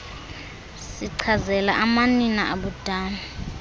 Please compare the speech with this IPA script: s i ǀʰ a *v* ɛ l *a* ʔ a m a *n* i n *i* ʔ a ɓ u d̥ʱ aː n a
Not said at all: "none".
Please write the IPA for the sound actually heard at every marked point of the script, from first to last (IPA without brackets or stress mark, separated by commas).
z, a, n, a